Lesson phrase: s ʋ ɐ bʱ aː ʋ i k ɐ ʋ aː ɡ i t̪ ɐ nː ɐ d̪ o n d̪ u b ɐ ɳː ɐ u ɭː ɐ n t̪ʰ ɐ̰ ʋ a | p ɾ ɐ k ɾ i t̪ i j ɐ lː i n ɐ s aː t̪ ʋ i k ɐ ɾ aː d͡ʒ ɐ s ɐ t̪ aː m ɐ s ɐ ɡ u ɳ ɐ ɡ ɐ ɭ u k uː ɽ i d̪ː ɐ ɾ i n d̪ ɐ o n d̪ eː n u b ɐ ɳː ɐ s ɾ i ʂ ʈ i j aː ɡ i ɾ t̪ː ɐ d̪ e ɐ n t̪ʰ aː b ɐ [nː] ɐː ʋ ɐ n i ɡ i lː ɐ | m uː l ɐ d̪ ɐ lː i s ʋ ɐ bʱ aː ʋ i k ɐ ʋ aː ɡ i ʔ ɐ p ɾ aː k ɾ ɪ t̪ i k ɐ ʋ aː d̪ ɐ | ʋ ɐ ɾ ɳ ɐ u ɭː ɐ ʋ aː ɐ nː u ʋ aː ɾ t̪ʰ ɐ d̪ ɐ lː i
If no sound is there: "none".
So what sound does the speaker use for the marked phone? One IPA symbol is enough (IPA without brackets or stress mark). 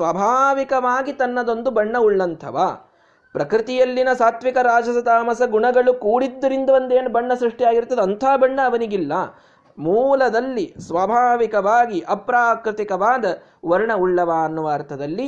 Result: ɳː